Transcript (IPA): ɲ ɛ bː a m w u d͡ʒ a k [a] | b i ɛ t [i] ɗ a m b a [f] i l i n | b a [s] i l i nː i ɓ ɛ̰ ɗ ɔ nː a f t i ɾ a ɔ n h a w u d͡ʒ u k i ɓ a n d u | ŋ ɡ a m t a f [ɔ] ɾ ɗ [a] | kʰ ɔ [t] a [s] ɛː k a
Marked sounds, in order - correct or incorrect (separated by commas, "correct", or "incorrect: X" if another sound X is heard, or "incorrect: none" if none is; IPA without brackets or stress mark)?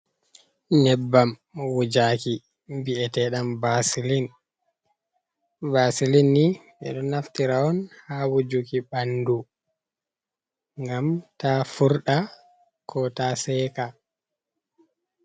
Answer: incorrect: i, incorrect: ɛ, incorrect: s, correct, incorrect: u, correct, correct, correct